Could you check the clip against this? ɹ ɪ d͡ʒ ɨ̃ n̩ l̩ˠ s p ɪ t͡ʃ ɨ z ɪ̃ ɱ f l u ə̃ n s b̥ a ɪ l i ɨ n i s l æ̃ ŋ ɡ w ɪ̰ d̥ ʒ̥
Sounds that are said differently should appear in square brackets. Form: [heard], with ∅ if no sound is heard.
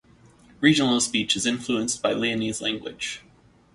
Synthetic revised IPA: ɹ [i] d͡ʒ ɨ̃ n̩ l̩ˠ s p [i] t͡ʃ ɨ z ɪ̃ ɱ f l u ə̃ n s b̥ a ɪ l i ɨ n i [z] l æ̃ ŋ ɡ w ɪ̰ d̥ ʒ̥